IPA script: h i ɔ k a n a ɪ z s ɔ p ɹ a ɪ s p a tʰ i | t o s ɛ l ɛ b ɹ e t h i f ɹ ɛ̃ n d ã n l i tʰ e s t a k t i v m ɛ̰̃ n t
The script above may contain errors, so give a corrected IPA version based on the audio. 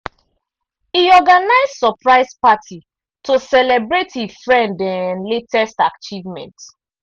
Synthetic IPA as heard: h i ɔ ɡ a n a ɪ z s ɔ p ɹ a ɪ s p a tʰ i | t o s ɛ l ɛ b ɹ e t h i f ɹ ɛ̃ n d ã n l e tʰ ɛ s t a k t͡ʃ i v m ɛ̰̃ n t